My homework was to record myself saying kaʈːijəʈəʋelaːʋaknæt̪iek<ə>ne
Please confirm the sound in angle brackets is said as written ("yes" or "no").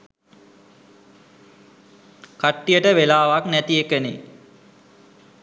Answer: yes